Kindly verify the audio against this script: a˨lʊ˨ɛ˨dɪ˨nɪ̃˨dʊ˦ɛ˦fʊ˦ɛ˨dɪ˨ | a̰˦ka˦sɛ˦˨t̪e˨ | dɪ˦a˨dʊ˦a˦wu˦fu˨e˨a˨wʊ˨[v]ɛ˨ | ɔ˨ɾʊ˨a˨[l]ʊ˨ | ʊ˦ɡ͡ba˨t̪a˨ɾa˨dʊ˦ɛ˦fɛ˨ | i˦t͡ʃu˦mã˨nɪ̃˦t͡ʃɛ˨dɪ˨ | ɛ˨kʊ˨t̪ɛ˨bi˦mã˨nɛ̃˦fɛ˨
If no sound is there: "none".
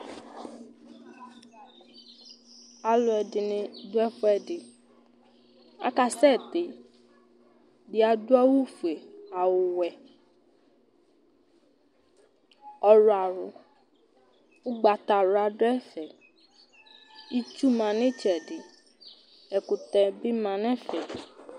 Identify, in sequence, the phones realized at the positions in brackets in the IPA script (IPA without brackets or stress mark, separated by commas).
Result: w, ɾ